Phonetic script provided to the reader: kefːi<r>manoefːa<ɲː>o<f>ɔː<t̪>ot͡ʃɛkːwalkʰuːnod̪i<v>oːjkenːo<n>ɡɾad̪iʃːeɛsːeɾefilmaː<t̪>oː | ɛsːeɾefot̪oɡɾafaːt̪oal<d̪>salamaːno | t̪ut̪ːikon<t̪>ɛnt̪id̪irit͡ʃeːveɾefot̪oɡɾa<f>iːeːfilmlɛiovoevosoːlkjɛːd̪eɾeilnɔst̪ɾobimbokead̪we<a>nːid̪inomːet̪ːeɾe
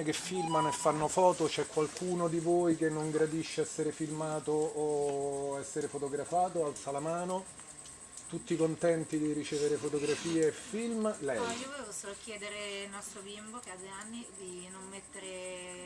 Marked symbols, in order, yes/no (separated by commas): no, no, yes, yes, yes, no, yes, no, yes, yes, yes